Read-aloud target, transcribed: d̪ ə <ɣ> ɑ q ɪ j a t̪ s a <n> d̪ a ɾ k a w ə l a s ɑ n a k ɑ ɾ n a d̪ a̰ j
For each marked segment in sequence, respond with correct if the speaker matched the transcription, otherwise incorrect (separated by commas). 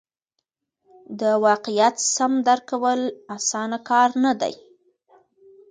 incorrect, incorrect